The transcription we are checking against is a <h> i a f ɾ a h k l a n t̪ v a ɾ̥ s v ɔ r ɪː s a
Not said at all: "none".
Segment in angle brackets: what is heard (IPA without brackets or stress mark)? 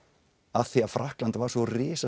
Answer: θ